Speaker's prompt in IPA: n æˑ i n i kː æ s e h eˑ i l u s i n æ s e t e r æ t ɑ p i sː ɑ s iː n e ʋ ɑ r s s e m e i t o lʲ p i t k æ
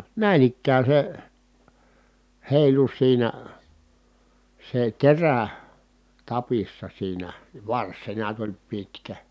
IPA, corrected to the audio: n æˑ i n i kː æː s e h eˑ i l u s iː n æ s e t e r æ t ɑ p i sː ɑ s iː n æ ʋ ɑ r s s e n e æ t o lʲ p i t k æ